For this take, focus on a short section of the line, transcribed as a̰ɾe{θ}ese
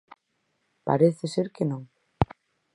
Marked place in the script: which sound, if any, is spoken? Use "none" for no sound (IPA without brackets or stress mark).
θ